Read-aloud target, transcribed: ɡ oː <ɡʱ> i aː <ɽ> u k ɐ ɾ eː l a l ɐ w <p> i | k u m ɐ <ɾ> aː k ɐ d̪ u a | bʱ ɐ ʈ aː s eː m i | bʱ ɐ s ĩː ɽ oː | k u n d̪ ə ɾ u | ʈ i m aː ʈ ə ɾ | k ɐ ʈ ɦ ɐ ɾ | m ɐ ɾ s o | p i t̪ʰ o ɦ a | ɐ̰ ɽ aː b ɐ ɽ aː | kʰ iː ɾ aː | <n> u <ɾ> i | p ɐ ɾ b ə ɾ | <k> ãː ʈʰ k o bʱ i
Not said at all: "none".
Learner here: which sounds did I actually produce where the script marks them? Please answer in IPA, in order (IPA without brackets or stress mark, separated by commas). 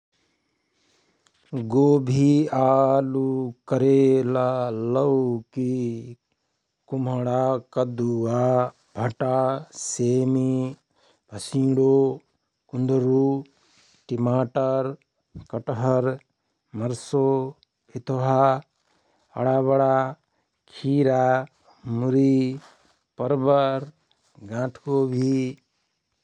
bʱ, l, k, ɽ, m, ɾ, ɡ